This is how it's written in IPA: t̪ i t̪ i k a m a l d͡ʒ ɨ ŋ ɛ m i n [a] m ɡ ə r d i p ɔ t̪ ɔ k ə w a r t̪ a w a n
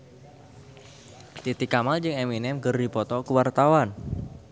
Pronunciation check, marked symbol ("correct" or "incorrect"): incorrect